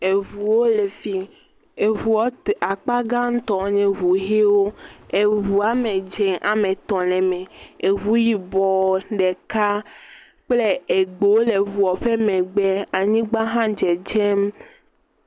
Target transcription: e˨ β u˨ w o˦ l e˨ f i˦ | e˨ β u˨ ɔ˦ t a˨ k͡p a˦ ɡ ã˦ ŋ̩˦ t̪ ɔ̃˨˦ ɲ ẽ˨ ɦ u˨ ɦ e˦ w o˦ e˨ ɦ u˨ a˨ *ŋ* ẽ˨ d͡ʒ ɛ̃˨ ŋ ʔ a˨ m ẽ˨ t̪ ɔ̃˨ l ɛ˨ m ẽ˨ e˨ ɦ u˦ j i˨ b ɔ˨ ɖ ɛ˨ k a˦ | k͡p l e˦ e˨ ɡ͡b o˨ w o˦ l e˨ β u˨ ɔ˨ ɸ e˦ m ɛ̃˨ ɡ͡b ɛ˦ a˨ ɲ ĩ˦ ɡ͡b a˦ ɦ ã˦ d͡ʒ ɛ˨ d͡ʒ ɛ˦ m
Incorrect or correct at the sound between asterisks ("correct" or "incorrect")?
incorrect